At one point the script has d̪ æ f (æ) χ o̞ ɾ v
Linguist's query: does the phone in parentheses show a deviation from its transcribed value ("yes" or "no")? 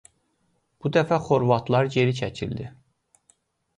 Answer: no